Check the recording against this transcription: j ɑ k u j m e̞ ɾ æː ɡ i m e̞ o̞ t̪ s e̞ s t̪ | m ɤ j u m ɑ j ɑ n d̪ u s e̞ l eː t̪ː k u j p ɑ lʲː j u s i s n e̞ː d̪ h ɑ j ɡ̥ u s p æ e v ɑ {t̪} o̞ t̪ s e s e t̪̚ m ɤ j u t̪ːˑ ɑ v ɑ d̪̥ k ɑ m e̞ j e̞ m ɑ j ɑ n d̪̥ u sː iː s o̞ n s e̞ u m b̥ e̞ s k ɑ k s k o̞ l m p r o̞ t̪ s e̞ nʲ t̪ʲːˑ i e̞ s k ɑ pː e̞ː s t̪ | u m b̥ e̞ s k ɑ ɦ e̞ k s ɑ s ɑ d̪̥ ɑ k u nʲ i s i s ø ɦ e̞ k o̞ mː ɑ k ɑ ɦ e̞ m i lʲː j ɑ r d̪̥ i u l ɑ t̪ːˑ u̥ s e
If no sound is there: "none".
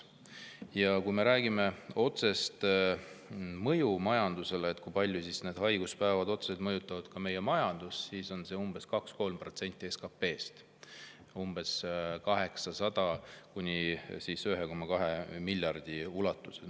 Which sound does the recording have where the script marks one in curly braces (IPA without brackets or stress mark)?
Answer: d̪